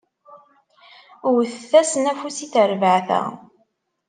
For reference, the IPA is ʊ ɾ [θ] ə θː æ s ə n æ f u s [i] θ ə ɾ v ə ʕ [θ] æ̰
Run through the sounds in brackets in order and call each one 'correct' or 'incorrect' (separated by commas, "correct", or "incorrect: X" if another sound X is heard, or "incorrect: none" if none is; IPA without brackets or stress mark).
correct, correct, correct